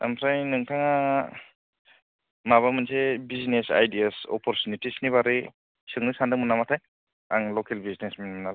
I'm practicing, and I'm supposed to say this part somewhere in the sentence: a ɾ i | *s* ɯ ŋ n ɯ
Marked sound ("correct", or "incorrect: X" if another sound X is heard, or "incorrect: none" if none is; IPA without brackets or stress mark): correct